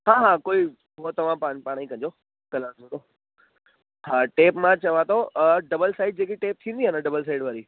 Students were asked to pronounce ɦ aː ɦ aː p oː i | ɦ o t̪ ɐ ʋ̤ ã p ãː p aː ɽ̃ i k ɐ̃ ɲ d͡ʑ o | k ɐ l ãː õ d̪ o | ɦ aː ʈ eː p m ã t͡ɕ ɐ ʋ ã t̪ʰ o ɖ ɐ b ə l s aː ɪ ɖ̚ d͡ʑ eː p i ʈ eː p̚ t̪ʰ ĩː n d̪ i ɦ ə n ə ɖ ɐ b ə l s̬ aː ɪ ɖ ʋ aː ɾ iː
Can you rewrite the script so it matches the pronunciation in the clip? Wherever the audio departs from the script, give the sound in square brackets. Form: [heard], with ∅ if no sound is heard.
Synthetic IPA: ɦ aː ɦ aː [k] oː i | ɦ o t̪ ɐ ʋ̤ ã p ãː p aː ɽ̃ i k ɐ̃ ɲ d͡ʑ o | k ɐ l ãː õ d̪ o | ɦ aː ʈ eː p m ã t͡ɕ ɐ ʋ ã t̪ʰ o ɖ ɐ b ə l s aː ɪ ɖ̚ d͡ʑ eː [k] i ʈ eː p̚ t̪ʰ ĩː n d̪ i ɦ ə n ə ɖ ɐ b ə l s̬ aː ɪ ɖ ʋ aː ɾ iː